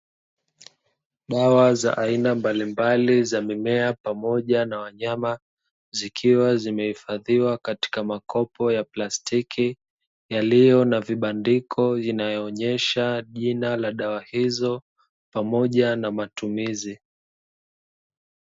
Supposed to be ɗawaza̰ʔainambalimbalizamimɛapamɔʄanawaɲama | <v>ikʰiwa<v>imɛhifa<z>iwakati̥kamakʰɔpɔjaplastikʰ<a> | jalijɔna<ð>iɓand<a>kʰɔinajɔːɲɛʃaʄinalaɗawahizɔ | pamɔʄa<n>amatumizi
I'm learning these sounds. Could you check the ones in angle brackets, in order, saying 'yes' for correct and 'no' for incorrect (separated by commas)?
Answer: no, no, no, no, no, no, yes